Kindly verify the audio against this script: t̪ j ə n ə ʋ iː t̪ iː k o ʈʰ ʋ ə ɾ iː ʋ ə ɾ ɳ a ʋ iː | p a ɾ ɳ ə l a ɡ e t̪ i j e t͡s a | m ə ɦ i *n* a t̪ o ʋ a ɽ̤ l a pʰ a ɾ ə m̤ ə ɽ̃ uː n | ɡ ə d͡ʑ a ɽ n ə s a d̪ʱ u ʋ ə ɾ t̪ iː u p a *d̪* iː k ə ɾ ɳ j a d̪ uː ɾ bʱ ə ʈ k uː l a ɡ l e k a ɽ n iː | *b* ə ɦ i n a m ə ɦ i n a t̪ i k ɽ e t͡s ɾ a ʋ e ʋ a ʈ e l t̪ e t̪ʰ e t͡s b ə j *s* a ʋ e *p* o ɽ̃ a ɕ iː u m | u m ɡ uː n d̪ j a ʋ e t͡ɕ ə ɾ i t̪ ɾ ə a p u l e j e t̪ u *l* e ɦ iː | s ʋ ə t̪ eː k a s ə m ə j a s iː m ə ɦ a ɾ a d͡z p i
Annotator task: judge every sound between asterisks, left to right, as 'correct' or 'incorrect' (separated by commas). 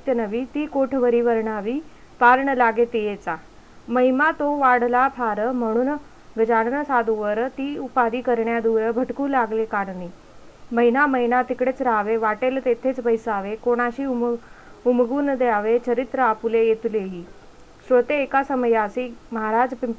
incorrect, correct, incorrect, correct, incorrect, correct